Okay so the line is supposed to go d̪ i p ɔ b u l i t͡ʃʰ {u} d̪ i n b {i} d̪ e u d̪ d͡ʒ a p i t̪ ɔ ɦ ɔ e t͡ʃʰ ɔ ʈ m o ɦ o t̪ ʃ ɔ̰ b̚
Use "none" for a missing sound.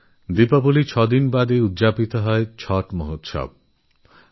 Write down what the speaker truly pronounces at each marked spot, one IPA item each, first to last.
ɔ, a

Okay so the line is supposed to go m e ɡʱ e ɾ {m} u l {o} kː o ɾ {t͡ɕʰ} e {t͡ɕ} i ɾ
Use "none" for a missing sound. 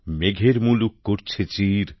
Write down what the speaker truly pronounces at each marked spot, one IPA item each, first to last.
m, u, t͡ɕʰ, t͡ɕ

